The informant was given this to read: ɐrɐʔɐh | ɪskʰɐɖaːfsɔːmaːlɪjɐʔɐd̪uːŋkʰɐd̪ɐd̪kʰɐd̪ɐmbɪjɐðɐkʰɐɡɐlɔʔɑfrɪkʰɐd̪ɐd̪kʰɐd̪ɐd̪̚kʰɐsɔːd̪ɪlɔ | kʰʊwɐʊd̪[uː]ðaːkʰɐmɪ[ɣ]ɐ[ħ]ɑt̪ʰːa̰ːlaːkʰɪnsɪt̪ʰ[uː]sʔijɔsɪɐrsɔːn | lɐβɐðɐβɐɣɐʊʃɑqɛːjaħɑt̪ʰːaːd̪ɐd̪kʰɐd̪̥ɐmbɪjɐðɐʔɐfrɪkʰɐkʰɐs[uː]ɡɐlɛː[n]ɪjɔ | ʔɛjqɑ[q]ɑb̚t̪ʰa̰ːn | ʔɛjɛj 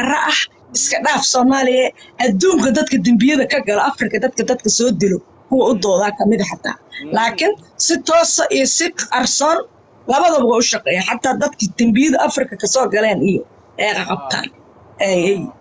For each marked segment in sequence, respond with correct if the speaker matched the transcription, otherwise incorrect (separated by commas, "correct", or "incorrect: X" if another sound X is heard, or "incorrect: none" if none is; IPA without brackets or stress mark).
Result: incorrect: ɔː, incorrect: ð, correct, incorrect: ɔː, incorrect: ɔː, correct, correct